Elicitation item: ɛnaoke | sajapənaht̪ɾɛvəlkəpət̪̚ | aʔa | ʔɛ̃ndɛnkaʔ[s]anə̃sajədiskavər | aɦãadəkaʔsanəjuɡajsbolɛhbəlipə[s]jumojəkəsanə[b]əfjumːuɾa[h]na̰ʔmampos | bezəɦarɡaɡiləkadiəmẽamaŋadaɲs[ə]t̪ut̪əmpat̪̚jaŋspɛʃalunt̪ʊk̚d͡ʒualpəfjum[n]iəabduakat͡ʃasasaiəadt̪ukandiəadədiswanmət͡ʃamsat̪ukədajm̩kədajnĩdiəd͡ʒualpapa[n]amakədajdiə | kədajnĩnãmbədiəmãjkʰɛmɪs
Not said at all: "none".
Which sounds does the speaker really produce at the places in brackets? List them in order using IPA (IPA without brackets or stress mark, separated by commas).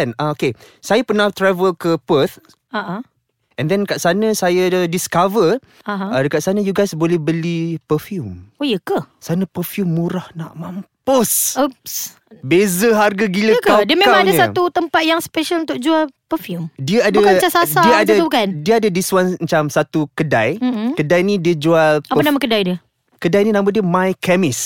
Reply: s, f, p, h, a, d, n